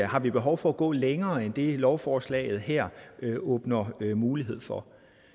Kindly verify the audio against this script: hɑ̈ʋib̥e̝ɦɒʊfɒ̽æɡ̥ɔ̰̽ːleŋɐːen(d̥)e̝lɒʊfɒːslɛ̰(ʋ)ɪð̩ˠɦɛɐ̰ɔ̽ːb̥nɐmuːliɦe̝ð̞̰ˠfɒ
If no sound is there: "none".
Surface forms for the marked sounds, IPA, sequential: d̥, none

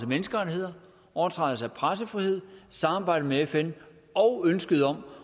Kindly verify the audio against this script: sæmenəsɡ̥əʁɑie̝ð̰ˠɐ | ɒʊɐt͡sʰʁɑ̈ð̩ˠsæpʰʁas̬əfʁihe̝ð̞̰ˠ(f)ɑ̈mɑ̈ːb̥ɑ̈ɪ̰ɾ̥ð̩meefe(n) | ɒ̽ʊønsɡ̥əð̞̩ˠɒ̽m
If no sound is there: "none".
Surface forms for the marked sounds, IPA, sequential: s, n

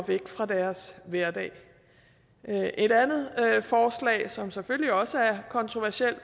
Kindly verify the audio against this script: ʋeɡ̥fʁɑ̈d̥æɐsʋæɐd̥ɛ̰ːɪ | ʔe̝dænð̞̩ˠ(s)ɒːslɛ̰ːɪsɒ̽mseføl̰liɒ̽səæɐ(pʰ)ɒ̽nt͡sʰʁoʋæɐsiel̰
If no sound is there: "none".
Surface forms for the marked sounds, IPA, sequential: f, kʰ

